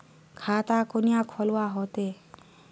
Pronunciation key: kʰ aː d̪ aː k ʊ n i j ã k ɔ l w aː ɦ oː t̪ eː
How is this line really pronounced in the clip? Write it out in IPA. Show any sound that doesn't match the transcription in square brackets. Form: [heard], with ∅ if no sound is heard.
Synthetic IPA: kʰ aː [t̪] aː k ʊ n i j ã [kʰ] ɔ l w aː ɦ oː t̪ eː

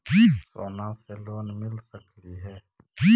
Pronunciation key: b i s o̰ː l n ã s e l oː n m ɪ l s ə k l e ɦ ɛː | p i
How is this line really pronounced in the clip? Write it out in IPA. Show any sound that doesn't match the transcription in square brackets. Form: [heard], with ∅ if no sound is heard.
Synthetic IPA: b i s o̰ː [∅] n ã s e l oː n m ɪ l s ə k l [i] ɦ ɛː | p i

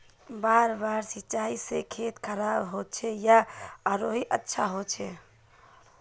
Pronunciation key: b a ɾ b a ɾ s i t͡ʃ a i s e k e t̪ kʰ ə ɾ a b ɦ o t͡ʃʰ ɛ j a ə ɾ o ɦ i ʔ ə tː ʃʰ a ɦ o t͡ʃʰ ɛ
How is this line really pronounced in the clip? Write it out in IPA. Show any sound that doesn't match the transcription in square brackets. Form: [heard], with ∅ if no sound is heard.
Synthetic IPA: b a ɾ b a ɾ s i t͡ʃ a i s e [kʰ] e t̪ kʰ ə ɾ a b ɦ o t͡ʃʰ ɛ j a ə ɾ o ɦ i ʔ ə tː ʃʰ a ɦ o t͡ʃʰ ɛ

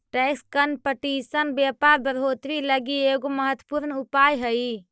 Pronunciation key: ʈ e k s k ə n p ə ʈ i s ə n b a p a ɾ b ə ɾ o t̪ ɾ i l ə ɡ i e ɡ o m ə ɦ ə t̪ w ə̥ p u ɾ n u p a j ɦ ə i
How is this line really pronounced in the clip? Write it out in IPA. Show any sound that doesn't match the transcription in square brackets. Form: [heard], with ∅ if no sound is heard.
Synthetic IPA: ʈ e k s k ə n p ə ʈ i s ə n b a p a ɾ b ə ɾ o t̪ ɾ i l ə ɡ i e ɡ o m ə ɦ ə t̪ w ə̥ p u ɾ n u p a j ɦ ə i

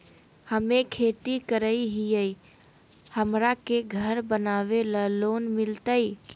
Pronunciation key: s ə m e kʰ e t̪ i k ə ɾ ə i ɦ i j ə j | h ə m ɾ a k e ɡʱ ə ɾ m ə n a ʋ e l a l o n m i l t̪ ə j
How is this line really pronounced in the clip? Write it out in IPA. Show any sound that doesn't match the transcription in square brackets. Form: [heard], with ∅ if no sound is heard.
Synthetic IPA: [h] ə m e kʰ e t̪ i k ə ɾ ə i ɦ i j ə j | h ə m ɾ a k e ɡʱ ə ɾ [b] ə n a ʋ e l [ə] l o n m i l t̪ ə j

